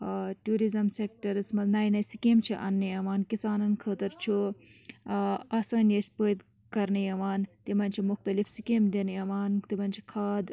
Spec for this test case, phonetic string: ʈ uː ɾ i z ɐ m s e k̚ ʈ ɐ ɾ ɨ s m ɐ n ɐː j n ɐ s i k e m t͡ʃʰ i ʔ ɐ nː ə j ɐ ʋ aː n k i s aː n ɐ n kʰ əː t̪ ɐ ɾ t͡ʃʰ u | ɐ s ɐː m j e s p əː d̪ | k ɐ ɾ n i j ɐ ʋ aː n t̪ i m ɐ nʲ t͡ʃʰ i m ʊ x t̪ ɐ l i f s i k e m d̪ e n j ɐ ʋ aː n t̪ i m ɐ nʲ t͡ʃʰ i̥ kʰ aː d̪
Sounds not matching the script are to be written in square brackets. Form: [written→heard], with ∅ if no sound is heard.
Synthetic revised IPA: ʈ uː ɾ i z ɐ m s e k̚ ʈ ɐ ɾ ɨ s m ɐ n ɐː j n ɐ s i k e m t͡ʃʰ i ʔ ɐ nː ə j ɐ ʋ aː n k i s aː n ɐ n kʰ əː t̪ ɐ ɾ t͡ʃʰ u | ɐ s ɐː [m→n] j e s p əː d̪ | k ɐ ɾ n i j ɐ ʋ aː n t̪ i m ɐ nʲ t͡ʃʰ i m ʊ x t̪ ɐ l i f s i k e m d̪ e n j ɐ ʋ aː n t̪ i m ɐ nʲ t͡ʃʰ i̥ kʰ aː d̪